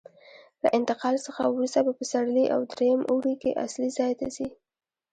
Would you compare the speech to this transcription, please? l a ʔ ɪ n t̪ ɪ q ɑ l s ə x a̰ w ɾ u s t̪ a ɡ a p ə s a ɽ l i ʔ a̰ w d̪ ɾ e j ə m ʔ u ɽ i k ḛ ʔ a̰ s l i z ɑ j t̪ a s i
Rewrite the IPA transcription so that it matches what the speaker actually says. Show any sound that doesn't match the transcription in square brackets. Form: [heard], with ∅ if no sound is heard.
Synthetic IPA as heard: l a ʔ ɪ n t̪ ɪ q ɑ l s ə x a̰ w ɾ u s t̪ a [b] a p ə s a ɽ l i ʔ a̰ w d̪ ɾ e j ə m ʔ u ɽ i k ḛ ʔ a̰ s l i z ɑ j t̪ a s i